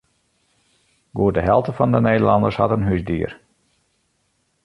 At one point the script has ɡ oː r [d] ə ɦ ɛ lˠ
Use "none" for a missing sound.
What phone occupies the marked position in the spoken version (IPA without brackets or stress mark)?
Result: d